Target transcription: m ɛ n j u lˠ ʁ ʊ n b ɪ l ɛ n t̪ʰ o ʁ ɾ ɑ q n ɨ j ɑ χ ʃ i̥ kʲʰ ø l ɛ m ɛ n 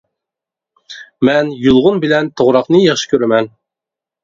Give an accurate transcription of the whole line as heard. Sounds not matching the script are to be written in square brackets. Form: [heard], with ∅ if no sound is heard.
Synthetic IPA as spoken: m ɛ n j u lˠ ʁ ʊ n b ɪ l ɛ n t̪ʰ o ʁ ɾ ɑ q n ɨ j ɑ χ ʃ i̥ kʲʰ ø [ɾ] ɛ m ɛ n